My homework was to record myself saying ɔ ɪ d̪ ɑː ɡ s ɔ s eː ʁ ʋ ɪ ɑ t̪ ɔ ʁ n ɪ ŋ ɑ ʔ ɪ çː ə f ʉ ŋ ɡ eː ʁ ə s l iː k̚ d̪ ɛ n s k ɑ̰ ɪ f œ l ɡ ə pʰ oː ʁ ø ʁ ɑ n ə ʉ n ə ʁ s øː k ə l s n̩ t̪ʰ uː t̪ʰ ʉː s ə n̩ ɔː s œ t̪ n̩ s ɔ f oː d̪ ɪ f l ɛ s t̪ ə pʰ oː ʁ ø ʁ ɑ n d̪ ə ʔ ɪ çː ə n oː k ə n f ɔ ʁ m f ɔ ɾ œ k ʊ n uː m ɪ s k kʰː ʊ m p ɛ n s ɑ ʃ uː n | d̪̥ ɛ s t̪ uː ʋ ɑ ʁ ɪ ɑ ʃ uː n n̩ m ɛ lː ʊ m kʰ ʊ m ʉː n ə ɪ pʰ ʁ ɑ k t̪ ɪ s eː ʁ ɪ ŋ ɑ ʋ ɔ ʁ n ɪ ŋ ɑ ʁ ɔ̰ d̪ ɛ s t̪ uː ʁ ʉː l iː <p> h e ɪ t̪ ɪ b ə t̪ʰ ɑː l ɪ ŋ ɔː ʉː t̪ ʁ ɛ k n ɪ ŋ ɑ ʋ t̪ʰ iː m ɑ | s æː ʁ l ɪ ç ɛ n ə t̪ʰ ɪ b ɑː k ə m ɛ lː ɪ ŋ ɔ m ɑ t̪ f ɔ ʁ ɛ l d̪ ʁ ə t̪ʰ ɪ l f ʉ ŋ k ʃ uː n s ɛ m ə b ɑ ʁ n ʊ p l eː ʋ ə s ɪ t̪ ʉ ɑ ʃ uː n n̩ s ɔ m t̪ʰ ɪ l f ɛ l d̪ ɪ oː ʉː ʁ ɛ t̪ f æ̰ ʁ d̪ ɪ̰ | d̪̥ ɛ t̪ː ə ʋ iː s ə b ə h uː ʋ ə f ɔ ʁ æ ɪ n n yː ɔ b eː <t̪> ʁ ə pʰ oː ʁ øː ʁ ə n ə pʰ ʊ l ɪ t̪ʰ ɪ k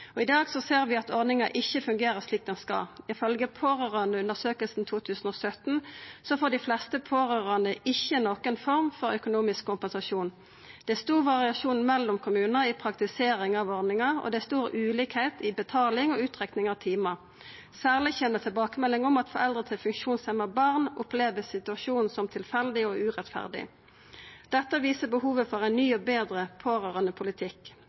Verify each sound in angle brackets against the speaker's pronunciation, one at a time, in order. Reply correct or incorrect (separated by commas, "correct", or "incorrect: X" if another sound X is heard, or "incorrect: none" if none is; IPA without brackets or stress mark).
incorrect: k, incorrect: d̪